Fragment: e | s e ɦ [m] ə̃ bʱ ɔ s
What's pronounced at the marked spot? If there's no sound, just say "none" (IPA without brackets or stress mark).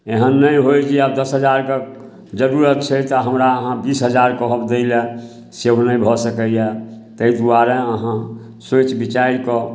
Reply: n